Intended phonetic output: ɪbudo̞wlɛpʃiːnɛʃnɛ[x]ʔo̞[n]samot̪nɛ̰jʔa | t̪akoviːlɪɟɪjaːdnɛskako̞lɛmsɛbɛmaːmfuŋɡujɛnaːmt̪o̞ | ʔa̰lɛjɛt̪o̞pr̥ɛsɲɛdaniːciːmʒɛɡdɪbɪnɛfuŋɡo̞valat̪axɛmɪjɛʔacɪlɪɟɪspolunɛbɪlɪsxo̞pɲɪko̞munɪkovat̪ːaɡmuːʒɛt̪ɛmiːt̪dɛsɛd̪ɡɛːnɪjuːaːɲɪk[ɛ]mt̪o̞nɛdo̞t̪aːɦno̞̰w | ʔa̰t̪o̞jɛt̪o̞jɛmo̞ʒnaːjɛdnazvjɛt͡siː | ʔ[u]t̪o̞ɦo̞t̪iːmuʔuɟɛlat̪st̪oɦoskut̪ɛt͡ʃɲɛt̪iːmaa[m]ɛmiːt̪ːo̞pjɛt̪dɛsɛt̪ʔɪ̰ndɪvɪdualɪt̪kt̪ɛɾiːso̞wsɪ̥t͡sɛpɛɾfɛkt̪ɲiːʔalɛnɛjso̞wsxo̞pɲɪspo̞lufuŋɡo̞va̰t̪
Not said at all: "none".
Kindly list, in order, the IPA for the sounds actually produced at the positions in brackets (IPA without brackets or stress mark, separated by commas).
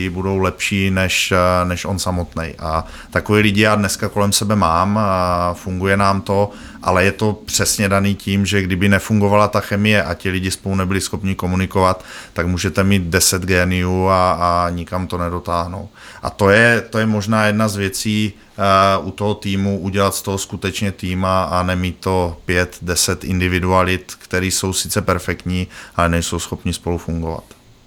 ʃ, n, a, u, n